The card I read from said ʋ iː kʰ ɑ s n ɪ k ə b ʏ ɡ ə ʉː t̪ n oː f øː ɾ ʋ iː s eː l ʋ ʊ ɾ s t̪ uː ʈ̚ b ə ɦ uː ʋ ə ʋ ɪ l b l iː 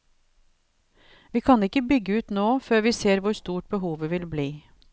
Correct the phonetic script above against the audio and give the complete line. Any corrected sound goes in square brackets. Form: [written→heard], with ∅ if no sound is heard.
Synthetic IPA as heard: ʋ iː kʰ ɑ [s→∅] n ɪ k ə b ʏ ɡ ə ʉː t̪ n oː f øː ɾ ʋ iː s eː [l→ɾ] ʋ ʊ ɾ s t̪ uː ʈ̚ b ə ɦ uː ʋ ə ʋ ɪ l b l iː